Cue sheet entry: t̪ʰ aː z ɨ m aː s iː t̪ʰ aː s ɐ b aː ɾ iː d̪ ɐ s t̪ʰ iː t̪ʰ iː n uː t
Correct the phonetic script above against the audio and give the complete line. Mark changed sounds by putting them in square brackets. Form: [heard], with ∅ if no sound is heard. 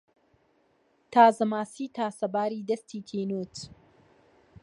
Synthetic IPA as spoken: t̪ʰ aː z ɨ m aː s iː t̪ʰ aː s ɐ b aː ɾ iː d̪ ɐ s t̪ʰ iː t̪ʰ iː n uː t